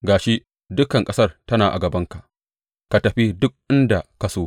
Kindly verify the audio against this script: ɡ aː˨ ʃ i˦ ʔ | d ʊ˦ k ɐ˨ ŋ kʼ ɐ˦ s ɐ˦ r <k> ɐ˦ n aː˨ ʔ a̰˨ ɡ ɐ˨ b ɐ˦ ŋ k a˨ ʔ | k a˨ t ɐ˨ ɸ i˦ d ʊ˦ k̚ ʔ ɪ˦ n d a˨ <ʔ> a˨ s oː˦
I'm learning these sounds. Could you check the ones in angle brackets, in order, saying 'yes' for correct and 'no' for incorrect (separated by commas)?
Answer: no, no